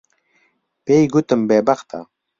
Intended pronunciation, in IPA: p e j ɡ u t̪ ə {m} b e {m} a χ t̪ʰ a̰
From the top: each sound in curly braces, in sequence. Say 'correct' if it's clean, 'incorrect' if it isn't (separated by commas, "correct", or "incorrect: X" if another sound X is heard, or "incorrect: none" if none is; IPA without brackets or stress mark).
correct, incorrect: b